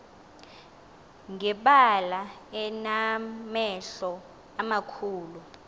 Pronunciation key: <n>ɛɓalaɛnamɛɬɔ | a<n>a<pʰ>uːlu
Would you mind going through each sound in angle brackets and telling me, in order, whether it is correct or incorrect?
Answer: incorrect: ŋ, incorrect: m, incorrect: kʰ

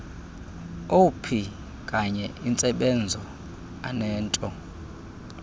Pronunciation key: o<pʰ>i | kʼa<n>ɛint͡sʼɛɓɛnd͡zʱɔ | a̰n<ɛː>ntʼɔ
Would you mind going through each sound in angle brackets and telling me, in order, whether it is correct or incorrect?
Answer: correct, incorrect: ɲ, correct

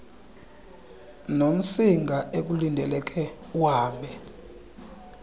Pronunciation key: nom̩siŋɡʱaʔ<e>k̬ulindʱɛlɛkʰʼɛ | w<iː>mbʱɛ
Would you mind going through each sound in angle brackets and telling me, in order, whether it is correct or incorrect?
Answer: correct, incorrect: aː

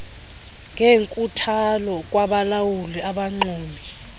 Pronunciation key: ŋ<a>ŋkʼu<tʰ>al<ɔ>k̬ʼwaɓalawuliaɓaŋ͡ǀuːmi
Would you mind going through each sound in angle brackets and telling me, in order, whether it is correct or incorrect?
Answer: incorrect: e, correct, correct

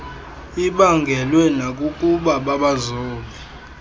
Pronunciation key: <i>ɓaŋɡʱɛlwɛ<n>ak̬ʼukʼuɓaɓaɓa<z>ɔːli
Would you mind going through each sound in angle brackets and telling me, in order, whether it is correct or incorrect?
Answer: correct, correct, correct

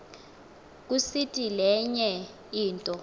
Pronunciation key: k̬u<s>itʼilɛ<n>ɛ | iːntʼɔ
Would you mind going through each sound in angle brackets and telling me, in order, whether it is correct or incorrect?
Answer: correct, incorrect: ɲ

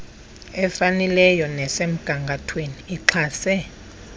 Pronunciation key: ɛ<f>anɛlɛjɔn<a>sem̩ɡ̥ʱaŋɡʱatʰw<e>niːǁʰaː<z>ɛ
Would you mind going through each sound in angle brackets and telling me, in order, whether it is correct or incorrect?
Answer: correct, incorrect: ɛ, correct, incorrect: s

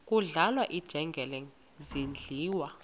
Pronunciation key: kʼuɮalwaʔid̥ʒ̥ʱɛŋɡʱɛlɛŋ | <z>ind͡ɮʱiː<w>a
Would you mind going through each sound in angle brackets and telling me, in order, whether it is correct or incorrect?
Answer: correct, correct

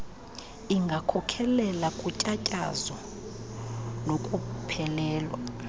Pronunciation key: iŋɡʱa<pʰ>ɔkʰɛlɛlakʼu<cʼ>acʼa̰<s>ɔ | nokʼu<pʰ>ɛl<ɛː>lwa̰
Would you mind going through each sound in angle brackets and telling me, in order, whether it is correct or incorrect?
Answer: incorrect: kʰ, correct, incorrect: z, correct, correct

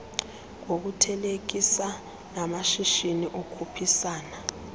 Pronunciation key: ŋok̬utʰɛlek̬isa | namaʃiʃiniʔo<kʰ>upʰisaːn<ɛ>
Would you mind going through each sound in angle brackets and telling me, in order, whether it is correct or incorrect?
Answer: correct, incorrect: a

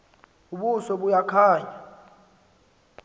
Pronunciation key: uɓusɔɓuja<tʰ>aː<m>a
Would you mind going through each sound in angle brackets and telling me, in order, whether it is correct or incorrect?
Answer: incorrect: kʰ, incorrect: ɲ

